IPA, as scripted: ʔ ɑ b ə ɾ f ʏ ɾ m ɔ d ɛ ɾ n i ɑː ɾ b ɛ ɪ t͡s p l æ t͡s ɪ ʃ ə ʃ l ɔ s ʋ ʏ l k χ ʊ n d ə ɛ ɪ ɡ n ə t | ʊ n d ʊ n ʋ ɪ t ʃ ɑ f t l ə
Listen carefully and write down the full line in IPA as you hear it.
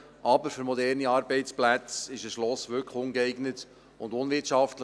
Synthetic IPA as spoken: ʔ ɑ b ə ɾ f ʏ ɾ m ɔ d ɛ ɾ n i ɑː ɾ b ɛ ɪ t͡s p l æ t͡s ɪ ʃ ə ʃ l ɔ s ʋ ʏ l k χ ʊ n ɡ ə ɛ ɪ ɡ n ə t | ʊ n d ʊ n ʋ ɪ t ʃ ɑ f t l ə